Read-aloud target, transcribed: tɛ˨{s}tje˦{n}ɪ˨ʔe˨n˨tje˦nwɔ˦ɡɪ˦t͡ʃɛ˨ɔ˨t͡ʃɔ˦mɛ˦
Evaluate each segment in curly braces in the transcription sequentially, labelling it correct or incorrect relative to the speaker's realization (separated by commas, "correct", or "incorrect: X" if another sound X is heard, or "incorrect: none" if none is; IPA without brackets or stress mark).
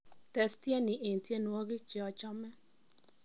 correct, correct